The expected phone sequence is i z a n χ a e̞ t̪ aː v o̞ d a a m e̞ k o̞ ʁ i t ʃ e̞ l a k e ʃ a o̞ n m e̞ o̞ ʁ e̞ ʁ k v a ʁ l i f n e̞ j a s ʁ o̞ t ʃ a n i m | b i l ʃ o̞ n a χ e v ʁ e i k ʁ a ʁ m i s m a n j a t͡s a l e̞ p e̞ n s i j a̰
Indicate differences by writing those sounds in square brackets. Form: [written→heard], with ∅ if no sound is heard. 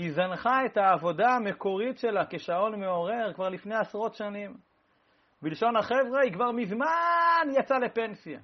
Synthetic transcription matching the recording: i z a n χ a e̞ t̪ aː v o̞ d a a m e̞ k o̞ ʁ i t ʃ e̞ l a k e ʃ a o̞ n m e̞ o̞ ʁ e̞ ʁ k v a ʁ l i f n e̞ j a s ʁ o̞ t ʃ a n i m | b i l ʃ o̞ n a χ e v ʁ e i k [ʁ→v] a ʁ m i [s→z] m a n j a t͡s a l e̞ p e̞ n s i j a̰